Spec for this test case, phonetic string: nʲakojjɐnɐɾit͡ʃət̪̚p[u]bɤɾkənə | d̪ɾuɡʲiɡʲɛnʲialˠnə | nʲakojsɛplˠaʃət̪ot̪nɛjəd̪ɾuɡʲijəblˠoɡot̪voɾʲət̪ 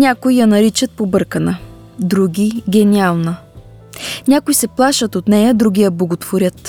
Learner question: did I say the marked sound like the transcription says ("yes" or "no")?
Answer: no